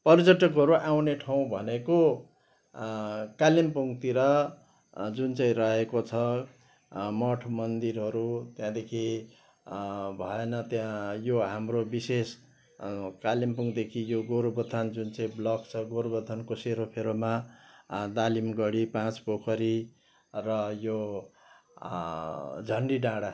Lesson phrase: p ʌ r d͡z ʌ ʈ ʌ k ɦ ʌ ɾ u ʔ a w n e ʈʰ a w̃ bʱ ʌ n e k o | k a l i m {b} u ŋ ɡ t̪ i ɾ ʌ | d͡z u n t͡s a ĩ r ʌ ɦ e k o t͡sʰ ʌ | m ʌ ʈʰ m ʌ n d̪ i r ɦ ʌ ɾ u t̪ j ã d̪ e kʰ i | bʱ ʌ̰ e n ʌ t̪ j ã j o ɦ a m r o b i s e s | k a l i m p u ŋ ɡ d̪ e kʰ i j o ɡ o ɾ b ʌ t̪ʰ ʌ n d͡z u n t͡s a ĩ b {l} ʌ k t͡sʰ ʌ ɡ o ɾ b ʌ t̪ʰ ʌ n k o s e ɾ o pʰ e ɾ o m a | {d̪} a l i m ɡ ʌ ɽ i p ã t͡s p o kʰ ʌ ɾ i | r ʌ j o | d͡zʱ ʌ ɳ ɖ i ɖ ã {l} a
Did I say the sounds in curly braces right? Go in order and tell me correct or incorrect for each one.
incorrect, correct, correct, incorrect

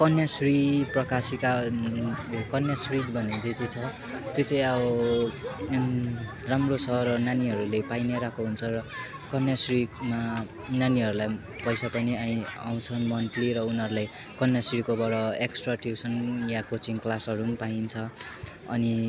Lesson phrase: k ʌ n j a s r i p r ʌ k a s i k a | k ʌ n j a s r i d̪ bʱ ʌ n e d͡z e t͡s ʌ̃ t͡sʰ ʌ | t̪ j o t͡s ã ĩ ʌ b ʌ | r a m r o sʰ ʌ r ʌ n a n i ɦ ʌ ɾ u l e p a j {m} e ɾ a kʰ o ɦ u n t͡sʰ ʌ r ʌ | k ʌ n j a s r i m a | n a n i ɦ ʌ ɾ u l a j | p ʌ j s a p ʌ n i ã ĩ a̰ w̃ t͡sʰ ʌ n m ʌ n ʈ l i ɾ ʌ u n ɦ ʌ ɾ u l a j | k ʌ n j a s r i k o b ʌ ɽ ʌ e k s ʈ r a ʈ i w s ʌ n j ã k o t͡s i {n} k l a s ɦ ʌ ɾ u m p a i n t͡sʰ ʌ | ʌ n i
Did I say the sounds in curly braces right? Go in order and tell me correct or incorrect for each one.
incorrect, incorrect

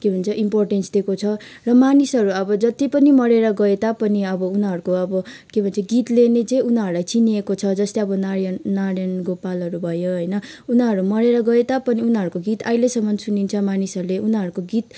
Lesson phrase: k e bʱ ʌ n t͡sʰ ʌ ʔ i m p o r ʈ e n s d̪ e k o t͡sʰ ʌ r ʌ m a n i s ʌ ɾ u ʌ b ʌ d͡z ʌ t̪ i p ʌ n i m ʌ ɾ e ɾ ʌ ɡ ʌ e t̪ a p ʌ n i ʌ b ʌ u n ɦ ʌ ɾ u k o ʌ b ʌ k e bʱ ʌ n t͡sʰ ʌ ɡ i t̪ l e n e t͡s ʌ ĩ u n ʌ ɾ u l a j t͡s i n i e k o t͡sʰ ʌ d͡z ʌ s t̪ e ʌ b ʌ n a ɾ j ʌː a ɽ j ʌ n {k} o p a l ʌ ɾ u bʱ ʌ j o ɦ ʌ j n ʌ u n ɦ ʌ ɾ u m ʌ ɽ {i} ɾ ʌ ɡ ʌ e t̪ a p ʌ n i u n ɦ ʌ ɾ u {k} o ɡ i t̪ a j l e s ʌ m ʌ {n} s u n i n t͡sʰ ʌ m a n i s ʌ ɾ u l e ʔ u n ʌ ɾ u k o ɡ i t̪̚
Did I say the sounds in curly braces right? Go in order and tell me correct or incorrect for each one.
incorrect, incorrect, correct, correct

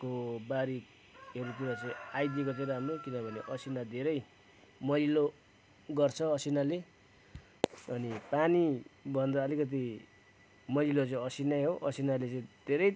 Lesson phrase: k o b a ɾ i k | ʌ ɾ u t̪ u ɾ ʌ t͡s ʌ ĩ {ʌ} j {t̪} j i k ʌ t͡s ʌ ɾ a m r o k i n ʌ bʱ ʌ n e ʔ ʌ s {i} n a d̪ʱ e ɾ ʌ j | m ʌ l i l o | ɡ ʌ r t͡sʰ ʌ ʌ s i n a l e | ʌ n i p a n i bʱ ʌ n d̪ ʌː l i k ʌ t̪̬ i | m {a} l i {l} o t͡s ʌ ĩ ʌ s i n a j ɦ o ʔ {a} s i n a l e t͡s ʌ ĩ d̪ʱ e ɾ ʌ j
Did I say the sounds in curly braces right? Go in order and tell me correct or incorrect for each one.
incorrect, incorrect, correct, incorrect, correct, incorrect

